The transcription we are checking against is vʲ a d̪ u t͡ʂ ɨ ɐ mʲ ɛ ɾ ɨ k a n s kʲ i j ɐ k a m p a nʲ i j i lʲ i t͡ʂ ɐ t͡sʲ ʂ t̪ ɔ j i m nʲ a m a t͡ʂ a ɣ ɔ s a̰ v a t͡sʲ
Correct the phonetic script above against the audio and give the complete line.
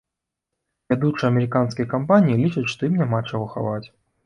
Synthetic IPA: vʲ a d̪ u t͡ʂ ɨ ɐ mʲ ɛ ɾ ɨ k a n s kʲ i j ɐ k a m p a nʲ i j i lʲ i t͡ʂ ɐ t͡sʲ ʂ t̪ ɔ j i m nʲ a m a t͡ʂ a ɣ ɔ x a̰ v a t͡sʲ